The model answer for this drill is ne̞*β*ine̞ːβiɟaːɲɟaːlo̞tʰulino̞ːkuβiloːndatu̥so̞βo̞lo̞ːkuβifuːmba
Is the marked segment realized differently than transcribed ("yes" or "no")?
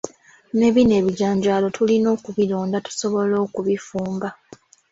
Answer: no